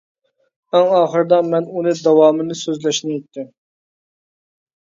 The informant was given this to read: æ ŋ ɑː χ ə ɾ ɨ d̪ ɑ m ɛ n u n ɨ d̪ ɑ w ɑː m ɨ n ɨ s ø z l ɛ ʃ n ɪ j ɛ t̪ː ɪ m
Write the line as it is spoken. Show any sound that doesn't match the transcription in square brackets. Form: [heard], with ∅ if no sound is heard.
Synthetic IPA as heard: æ ŋ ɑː χ ə ɾ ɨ d̪ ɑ m ɛ n u n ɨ d̪ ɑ w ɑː m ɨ n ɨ s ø z l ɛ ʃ n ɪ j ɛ t̪ː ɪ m